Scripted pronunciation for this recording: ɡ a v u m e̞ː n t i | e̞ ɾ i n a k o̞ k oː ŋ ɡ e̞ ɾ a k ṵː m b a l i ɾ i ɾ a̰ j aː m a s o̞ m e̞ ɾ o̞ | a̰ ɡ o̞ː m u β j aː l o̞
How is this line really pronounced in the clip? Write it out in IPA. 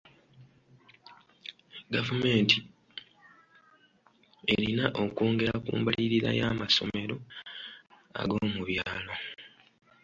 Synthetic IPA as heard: ɡ a v u m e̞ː n t i | e̞ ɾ i n a ʔ o̞ k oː ŋ ɡ e̞ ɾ a k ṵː m b a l i ɾ i ɾ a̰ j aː m a s o̞ m e̞ ɾ o̞ | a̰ ɡ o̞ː m u β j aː l o̞